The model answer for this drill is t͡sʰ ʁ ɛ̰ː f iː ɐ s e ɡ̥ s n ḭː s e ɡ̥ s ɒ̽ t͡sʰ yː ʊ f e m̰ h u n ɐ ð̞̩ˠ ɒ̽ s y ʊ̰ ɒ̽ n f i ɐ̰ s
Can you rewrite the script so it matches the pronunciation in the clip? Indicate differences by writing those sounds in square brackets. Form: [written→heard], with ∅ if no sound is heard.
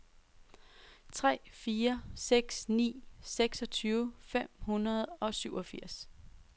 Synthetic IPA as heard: t͡sʰ ʁ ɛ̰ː f iː ɐ s e ɡ̥ s n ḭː s e ɡ̥ s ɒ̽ t͡sʰ yː ʊ f e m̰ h u n ɐ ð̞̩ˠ ɒ̽ s y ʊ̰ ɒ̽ [n→∅] f i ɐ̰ s

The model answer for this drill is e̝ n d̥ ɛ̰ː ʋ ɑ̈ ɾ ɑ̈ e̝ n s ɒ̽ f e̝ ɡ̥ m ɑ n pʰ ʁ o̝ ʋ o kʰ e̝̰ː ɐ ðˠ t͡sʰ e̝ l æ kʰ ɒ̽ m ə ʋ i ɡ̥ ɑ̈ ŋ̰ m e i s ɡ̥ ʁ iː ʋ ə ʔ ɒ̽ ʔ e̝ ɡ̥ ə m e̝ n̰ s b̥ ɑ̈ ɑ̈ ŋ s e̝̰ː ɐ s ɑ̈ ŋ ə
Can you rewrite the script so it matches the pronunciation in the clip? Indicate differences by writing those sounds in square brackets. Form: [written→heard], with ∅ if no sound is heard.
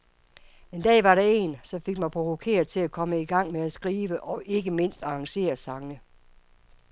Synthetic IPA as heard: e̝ n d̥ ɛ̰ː ʋ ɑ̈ ɾ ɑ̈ e̝ n s ɒ̽ f e̝ ɡ̥ m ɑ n pʰ ʁ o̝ ʋ o kʰ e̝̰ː ɐ ðˠ t͡sʰ e̝ l æ kʰ ɒ̽ m ə [ʋ→∅] i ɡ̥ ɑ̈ ŋ̰ m e [i→æ] s ɡ̥ ʁ iː ʋ ə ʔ ɒ̽ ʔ e̝ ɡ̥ ə m e̝ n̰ s [b̥→d̥] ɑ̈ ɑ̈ ŋ s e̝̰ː ɐ s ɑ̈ ŋ ə

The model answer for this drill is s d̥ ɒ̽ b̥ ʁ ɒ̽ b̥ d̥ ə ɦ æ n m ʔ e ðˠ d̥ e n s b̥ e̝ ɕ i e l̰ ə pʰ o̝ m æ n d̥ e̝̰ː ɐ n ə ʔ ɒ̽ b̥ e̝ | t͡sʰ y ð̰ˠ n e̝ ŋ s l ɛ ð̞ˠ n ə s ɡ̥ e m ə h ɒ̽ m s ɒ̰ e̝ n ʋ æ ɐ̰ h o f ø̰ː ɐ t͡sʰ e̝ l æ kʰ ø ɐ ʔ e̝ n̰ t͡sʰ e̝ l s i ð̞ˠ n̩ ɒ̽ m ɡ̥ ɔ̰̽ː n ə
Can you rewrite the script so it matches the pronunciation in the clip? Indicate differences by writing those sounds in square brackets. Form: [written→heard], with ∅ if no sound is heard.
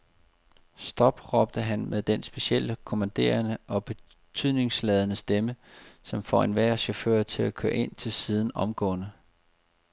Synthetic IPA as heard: s d̥ ɒ̽ b̥ ʁ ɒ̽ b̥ d̥ ə ɦ æ n m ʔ e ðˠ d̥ e n s b̥ e̝ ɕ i e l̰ ə [pʰ→kʰ] o̝ m æ n d̥ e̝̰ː ɐ n ə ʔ ɒ̽ b̥ e̝ | t͡sʰ y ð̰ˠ n e̝ ŋ s l ɛ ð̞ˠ n ə s [ɡ̥→d̥] e m ə [h→s] ɒ̽ m [s→f] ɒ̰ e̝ n ʋ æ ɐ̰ [h→ɕ] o f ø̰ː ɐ t͡sʰ e̝ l æ kʰ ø ɐ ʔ e̝ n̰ t͡sʰ e̝ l s i ð̞ˠ n̩ ɒ̽ m ɡ̥ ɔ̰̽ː n ə

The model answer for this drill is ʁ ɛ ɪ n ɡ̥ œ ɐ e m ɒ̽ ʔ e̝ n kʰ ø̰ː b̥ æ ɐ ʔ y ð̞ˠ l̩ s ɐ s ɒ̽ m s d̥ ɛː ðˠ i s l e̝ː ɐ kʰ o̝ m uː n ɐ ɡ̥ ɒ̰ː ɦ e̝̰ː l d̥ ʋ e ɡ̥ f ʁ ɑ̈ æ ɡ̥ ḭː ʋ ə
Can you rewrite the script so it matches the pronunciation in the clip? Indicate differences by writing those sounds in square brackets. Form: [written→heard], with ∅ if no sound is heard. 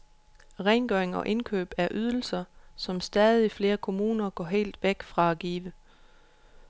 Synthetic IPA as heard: ʁ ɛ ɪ n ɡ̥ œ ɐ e [m→ŋ] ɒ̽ ʔ e̝ n kʰ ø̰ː b̥ æ ɐ ʔ y ð̞ˠ l̩ s ɐ s ɒ̽ m s d̥ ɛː ðˠ i [s→f] l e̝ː ɐ kʰ o̝ m uː n ɐ ɡ̥ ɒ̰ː ɦ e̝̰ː l d̥ ʋ e ɡ̥ f ʁ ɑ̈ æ ɡ̥ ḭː ʋ ə

